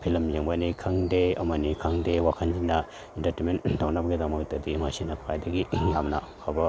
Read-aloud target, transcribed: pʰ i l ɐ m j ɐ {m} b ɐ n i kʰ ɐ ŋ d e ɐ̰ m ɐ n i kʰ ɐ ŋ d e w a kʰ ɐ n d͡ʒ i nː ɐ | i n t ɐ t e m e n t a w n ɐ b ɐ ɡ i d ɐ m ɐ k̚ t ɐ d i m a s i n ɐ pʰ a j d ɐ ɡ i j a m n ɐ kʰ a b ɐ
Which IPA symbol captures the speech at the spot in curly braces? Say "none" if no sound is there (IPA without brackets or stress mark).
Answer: ŋ